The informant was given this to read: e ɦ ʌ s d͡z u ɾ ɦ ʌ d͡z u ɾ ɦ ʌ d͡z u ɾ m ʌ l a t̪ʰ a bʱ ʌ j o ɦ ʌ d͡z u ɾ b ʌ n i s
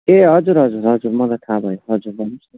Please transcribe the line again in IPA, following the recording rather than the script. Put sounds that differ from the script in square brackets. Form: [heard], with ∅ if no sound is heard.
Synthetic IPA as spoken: e ɦ ʌ [∅] d͡z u ɾ ɦ ʌ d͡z u ɾ ɦ ʌ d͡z u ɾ m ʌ l a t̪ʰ a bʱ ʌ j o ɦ ʌ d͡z u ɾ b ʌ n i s